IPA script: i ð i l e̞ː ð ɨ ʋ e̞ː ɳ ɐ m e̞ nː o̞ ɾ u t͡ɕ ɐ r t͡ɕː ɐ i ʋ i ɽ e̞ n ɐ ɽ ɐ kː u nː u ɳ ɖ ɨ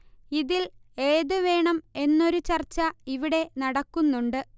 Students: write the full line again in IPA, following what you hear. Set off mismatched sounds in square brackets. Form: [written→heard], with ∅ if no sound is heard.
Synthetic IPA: i ð i l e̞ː ð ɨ ʋ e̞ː ɳ ɐ m e̞ nː o̞ ɾ u t͡ɕ ɐ r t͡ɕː ɐ i ʋ i ɽ e̞ n ɐ ɽ ɐ kː u nː u ɳ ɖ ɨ